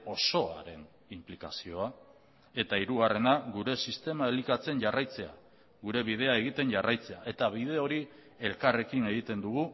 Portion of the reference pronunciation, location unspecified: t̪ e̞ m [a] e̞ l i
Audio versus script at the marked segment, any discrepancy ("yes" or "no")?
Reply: no